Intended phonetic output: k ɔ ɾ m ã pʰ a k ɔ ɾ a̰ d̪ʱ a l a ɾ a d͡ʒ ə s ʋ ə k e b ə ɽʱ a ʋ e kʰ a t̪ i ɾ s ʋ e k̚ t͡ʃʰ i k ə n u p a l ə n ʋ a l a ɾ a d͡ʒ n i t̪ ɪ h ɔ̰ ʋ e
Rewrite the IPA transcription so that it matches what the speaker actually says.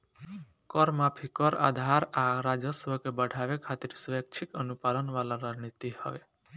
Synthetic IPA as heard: k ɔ ɾ m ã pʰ i k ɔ ɾ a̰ d̪ʱ a ɾ a ɾ a d͡ʒ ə s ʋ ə k e b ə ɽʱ a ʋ e kʰ a t̪ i ɾ s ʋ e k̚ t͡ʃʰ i k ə n u p a l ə n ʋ a l a ɾ a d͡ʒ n i t̪ i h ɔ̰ ʋ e